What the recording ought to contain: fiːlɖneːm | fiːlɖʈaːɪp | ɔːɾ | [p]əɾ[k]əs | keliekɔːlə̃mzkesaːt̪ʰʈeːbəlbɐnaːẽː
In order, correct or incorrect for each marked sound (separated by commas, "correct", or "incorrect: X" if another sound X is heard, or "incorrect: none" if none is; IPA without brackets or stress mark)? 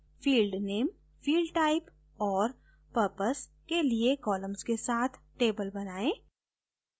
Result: correct, incorrect: p